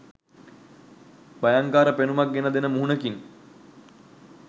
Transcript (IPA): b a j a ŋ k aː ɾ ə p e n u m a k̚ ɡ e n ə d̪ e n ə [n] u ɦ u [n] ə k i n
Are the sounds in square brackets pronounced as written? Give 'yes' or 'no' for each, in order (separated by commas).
no, yes